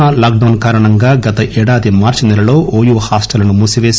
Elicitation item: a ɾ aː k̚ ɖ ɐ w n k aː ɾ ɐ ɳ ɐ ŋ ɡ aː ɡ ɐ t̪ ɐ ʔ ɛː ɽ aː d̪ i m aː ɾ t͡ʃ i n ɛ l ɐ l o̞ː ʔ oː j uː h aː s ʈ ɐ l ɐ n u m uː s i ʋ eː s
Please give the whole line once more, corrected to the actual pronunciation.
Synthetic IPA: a l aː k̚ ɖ ɐ w n k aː ɾ ɐ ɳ ɐ ŋ ɡ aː ɡ ɐ t̪ ɐ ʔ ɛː ɽ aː d̪ i m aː ɾ t͡ʃ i n ɛ l ɐ l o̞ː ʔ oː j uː h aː s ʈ ɐ l ɐ n u m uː s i ʋ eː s

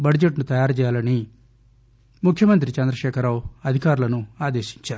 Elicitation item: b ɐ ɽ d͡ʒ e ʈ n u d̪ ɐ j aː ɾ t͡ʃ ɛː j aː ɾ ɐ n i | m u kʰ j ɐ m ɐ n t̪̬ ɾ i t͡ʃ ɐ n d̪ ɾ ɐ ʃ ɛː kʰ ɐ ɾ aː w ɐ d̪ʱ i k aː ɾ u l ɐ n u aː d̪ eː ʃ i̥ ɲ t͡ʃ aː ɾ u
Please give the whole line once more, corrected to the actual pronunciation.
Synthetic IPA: b ɐ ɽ d͡ʒ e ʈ n u t̪ ɐ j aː ɾ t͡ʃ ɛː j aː l ɐ n i | m u kʰ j ɐ m ɐ n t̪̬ ɾ i t͡ʃ ɐ n d̪ ɾ ɐ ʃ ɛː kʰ ɐ ɾ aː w ɐ d̪ʱ i k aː ɾ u l ɐ n u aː d̪ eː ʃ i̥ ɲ t͡ʃ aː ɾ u

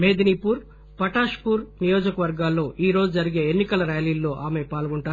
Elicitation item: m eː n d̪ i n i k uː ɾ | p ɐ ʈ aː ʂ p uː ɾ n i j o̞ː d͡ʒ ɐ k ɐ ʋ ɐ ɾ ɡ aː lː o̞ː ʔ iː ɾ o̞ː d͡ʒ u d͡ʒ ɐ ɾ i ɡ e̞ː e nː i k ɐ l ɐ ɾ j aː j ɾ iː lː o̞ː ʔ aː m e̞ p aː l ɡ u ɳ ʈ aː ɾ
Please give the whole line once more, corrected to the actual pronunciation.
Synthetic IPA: m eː d̪ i n i p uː ɾ | p ɐ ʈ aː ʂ p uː ɾ n i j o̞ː d͡ʒ ɐ k ɐ ʋ ɐ ɾ ɡ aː lː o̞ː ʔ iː ɾ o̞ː d͡ʒ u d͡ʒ ɐ ɾ i ɡ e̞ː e nː i k ɐ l ɐ ɾ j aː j l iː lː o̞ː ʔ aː m e̞ p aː l ɡ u ɳ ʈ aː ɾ

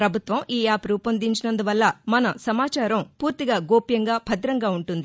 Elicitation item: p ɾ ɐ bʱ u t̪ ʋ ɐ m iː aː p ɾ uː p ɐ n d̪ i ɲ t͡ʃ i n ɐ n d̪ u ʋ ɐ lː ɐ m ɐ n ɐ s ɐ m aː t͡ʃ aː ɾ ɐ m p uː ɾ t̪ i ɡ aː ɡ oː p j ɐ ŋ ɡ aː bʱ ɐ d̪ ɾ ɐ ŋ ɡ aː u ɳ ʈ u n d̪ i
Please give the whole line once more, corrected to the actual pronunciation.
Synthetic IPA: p ɾ ɐ bʱ u t̪ ʋ ɐ m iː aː p ɾ uː p ɐ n d̪ i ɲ t͡ʃ i n ɐ n d̪ u ʋ ɐ lː ɐ m ɐ n ɐ s ɐ m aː t͡ʃ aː ɾ ɐ m p uː ɾ t̪ i ɡ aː ɡ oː p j ɐ ŋ ɡ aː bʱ ɐ d̪ ɾ ɐ ŋ ɡ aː u ɳ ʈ u n d̪ i

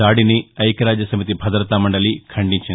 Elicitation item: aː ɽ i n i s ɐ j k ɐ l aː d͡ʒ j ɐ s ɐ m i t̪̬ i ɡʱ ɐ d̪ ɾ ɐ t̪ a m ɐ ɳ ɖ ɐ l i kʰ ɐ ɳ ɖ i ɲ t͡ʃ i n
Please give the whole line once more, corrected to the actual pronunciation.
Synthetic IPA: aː ɽ i n i ɐ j k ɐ ɾ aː d͡ʒ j ɐ s ɐ m i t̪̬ i bʱ ɐ d̪ ɾ ɐ t̪ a m ɐ ɳ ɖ ɐ l i kʰ ɐ ɳ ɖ i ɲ t͡ʃ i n

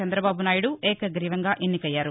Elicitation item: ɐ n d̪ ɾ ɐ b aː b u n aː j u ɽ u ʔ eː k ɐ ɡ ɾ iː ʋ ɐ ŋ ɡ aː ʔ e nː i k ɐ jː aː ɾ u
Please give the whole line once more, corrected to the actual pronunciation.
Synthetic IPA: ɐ n d̪ ɾ ɐ b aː b u n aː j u ɽ u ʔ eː k ɐ ɡ ɾ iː ʋ ɐ ŋ ɡ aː ʔ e nː i k ɐ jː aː ɾ u

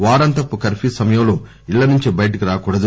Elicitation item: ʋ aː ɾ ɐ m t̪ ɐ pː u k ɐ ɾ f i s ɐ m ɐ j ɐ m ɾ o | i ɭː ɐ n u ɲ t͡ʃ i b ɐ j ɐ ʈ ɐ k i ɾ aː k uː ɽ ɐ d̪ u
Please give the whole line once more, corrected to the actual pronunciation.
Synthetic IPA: ʋ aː ɾ ɐ n t̪ ɐ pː u k ɐ ɾ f i s ɐ m ɐ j ɐ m l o | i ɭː ɐ n u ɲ t͡ʃ i b ɐ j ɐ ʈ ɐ k i ɾ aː k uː ɽ ɐ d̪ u

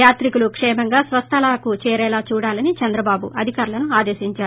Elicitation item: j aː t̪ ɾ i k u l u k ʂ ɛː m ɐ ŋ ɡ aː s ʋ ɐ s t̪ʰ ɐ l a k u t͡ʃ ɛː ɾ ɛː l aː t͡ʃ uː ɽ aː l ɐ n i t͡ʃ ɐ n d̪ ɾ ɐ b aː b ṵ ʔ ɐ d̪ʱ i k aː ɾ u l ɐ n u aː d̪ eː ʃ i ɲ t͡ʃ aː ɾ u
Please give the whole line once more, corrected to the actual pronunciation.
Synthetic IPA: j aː t̪ ɾ i k u l u k ʂ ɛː m ɐ ŋ ɡ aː s ʋ ɐ s t̪ʰ ɐ l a k u t͡ʃ ɛː ɾ ɛː l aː t͡ʃ uː ɽ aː l ɐ n i t͡ʃ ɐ n d̪ ɾ ɐ b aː b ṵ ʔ ɐ d̪ʱ i k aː ɾ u l ɐ n u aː d̪ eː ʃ i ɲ t͡ʃ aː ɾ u

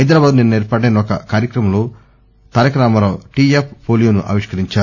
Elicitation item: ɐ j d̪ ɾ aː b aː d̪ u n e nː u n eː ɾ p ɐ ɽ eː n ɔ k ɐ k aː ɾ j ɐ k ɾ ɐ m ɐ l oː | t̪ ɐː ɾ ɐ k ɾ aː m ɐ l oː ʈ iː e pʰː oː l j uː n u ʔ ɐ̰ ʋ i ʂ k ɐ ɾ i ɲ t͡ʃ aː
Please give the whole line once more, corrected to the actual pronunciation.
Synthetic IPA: ɐ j d̪ ɾ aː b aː d̪ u n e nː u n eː ɾ p ɐ ɽ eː n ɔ k ɐ k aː ɾ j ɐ k ɾ ɐ m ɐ l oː | t̪ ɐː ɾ ɐ k ɾ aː m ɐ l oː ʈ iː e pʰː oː l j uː n u ʔ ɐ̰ ʋ i ʂ k ɐ ɾ i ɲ t͡ʃ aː

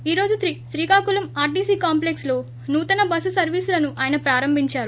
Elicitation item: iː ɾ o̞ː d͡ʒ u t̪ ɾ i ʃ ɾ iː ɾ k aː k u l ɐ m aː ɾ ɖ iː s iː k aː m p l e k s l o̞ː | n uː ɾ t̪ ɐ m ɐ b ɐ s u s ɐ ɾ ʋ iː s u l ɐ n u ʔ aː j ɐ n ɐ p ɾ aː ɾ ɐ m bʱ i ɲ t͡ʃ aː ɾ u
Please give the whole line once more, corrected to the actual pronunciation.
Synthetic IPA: iː ɾ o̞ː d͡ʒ u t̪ ɾ i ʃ ɾ iː k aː k u l ɐ m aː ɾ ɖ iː s iː k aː m p l e k s l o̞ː | n uː t̪ ɐ n ɐ b ɐ s u s ɐ ɾ ʋ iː s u l ɐ n u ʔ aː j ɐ n ɐ p ɾ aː ɾ ɐ m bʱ i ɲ t͡ʃ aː ɾ u

